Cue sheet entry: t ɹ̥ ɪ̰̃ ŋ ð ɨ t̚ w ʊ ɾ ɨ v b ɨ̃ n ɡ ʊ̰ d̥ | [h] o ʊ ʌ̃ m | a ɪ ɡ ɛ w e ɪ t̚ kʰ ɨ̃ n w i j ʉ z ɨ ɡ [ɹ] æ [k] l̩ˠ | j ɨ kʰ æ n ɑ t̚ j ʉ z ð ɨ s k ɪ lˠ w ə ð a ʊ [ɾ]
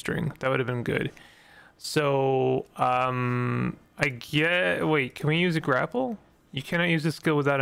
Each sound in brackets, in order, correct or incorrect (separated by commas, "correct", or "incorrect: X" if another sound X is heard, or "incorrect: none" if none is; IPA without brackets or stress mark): incorrect: s, correct, incorrect: p, correct